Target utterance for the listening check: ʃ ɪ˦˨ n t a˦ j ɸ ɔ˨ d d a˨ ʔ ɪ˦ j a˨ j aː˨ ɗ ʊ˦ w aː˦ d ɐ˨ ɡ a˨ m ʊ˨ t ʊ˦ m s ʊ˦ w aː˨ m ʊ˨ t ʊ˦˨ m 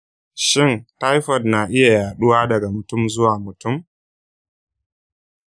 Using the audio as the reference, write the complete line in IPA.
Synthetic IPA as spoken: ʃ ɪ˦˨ n t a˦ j ɸ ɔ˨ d n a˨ ʔ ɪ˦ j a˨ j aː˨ ɗ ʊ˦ w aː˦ d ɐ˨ ɡ a˨ m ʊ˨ t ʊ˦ m z ʊ˦ w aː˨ m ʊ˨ t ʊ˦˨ m

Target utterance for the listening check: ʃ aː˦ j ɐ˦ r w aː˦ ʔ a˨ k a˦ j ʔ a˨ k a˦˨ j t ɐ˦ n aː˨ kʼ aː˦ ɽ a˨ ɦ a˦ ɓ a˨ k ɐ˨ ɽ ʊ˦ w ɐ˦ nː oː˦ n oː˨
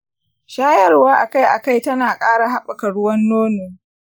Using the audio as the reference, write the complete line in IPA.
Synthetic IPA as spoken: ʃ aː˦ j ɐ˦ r w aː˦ ʔ a˨ k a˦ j ʔ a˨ k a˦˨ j t ɐ˦ n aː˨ kʼ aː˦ ɽ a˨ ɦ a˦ ɓ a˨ k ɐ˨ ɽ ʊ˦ w ɐ˦ nː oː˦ n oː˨

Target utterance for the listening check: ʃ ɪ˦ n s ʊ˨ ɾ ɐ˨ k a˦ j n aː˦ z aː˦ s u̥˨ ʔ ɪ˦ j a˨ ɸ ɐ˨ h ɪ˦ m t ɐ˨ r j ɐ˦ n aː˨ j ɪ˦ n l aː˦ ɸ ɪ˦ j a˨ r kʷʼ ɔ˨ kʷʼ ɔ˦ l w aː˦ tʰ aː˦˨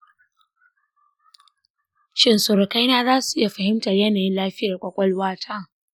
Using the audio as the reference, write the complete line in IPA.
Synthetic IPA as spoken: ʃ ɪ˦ n s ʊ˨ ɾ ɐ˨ k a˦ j n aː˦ z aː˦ s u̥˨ ʔ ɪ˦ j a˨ ɸ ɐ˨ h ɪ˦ m t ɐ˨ r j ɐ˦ n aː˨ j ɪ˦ n l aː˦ ɸ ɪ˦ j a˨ r kʷʼ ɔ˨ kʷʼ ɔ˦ l w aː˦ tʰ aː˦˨

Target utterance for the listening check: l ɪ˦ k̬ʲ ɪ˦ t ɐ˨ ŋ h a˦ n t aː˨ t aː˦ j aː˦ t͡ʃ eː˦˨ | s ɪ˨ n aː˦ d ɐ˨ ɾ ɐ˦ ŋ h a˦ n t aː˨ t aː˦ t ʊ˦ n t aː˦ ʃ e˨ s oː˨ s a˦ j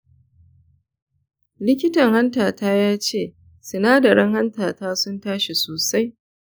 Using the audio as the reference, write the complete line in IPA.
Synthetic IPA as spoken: l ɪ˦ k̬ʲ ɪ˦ t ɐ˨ ŋ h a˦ n t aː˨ t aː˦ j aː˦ t͡ʃ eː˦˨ | s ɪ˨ n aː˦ d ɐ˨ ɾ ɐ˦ ŋ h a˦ n t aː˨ t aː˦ s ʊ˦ n t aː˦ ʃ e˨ s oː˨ s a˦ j

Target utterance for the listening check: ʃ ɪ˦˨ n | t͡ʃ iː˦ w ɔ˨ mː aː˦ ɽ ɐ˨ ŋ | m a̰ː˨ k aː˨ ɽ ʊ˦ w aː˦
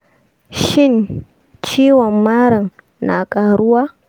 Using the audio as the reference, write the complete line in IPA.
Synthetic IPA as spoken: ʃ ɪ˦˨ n | t͡ʃ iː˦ w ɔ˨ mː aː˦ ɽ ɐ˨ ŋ | n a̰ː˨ kʼ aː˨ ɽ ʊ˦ w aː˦

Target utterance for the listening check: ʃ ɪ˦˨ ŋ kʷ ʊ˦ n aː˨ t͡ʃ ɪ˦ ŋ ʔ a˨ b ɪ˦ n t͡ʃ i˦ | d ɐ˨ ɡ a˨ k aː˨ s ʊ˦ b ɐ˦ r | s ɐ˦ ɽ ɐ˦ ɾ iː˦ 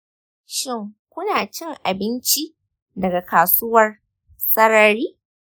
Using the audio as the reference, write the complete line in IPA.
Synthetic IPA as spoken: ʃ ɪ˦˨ ŋ kʷ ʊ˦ n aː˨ t͡ʃ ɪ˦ ŋ ʔ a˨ b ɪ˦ n t͡ʃ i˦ | d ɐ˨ ɡ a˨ k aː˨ s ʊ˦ w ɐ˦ r | s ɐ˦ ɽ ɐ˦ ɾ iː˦

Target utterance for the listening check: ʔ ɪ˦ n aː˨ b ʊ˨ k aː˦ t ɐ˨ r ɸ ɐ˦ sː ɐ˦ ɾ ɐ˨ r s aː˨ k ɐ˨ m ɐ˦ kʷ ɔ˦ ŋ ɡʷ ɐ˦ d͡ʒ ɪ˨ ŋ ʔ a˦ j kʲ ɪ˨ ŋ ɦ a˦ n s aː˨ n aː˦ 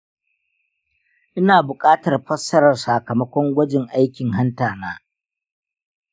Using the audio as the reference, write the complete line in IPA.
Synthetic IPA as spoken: ʔ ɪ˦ n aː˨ b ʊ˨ kʼ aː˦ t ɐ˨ r ɸ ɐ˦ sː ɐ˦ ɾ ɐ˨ r s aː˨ k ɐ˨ m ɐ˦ kʷ ɔ˦ ŋ ɡʷ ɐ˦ d͡ʒ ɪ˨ ŋ ʔ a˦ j kʲ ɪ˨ ŋ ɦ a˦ n t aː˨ n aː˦

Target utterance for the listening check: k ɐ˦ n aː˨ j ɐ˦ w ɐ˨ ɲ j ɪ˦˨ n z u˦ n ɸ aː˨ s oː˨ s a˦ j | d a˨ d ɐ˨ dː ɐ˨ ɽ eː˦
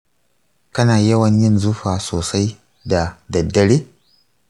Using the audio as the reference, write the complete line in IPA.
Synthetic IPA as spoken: k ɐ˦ n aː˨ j ɐ˦ w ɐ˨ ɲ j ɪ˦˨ n z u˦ ɸ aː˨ s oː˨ s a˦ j | d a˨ d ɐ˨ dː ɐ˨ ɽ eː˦

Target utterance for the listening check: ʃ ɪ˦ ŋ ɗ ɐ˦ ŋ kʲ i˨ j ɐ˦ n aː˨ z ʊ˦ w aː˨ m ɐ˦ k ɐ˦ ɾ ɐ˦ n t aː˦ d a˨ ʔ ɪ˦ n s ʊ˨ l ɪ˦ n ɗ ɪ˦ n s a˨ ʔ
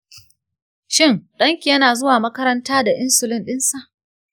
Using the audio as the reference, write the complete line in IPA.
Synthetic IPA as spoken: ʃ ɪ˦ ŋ ɗ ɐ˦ ŋ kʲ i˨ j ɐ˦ n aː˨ z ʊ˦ w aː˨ m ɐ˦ k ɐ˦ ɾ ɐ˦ n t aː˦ d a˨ ʔ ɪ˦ n s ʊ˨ l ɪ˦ n ɗ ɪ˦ n s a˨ ʔ

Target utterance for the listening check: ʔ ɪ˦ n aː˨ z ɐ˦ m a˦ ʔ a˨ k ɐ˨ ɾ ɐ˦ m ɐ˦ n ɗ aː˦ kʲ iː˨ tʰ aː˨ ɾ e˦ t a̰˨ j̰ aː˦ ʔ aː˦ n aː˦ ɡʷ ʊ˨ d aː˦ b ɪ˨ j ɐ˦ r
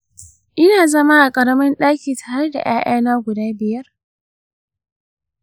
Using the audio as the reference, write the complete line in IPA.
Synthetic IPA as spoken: ʔ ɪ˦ n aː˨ z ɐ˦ m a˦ ʔ a˨ kʼ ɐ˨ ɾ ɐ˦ m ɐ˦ n ɗ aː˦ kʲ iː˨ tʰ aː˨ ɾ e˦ d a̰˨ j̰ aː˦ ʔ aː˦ n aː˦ ɡʷ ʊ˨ d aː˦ b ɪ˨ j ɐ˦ r

